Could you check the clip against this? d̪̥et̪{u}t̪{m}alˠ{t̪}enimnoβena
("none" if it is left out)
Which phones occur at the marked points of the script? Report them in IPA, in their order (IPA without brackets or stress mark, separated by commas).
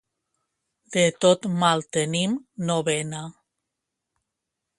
o, m, t̪